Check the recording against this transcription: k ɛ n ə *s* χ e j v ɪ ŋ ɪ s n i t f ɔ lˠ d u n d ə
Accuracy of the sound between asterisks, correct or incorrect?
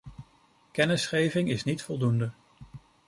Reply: correct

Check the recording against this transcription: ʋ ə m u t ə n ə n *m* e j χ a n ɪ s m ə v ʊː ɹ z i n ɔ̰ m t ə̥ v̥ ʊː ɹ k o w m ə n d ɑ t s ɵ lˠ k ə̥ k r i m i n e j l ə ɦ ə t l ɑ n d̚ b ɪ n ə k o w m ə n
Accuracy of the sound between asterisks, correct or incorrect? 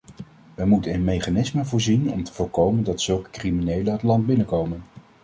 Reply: correct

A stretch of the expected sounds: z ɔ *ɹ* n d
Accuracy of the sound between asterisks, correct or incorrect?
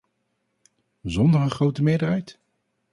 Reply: incorrect: none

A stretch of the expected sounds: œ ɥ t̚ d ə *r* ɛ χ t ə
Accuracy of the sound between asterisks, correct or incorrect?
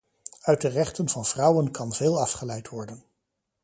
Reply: correct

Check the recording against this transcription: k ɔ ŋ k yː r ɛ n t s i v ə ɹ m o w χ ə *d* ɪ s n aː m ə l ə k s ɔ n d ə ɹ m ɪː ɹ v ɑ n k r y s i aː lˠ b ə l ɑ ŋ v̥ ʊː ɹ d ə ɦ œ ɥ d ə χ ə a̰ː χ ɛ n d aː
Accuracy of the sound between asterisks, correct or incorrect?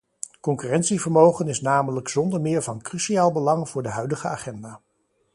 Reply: incorrect: n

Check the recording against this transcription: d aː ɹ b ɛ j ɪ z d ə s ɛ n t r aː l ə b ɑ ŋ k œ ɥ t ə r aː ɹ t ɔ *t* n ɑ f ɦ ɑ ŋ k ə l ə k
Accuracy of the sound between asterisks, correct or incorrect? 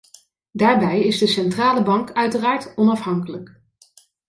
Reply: incorrect: none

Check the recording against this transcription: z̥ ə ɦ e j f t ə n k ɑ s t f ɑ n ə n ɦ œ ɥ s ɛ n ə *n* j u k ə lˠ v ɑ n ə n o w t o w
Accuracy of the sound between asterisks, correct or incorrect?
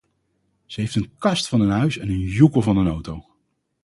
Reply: correct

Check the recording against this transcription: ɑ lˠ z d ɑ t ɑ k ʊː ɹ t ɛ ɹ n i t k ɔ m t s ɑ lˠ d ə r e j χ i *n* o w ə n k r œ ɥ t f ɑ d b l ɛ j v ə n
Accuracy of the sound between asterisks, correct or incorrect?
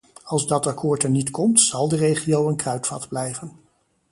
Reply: incorrect: none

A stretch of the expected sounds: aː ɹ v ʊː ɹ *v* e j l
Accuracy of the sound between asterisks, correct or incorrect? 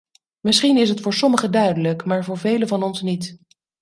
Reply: correct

